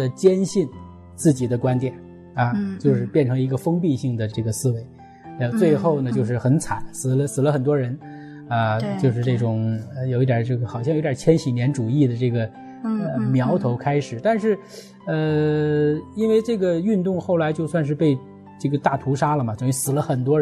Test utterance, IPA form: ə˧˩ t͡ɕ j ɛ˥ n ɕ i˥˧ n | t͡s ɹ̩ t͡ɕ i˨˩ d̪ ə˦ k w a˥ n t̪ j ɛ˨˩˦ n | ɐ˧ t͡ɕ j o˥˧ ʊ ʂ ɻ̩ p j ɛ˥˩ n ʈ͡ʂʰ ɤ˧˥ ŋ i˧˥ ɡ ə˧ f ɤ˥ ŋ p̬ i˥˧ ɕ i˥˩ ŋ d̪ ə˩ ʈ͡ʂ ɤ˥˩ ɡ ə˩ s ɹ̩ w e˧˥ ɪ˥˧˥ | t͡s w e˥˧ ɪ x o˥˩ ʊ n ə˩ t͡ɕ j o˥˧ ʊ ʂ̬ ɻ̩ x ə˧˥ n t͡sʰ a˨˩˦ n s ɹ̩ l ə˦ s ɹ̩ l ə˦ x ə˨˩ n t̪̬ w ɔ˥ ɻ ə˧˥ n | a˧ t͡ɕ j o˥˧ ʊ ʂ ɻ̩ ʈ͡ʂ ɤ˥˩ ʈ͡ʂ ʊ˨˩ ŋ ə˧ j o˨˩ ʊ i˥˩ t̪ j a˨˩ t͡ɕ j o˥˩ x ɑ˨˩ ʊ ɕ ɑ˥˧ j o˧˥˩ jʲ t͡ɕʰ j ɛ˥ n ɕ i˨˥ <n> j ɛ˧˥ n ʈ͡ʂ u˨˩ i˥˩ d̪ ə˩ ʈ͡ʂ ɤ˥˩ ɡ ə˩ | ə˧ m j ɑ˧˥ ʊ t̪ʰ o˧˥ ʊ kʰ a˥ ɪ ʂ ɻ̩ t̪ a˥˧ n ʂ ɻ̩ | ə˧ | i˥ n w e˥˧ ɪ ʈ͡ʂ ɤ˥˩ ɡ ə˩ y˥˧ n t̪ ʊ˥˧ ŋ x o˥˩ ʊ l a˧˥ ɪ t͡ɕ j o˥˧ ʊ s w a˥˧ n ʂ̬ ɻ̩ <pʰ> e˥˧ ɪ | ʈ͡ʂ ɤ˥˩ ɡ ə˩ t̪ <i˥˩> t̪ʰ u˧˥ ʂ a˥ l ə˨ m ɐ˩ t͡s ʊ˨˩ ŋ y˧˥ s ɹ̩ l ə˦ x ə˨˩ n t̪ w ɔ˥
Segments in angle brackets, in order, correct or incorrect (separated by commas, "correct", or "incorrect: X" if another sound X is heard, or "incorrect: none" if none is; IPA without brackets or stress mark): correct, incorrect: p, incorrect: a˥˩